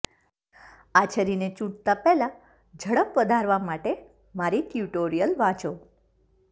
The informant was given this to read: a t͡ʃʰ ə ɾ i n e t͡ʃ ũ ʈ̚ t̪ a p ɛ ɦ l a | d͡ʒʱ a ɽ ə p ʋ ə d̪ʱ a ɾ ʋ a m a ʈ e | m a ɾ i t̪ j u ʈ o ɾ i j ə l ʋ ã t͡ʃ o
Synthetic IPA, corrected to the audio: a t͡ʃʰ ə ɾ i n e t͡ʃ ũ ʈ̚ t̪ a p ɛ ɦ l a | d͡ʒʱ ə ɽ ə p ʋ ə d̪ʱ a ɾ ʋ a m a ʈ e | m a ɾ i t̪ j u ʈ o ɾ i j ə l ʋ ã t͡ʃ o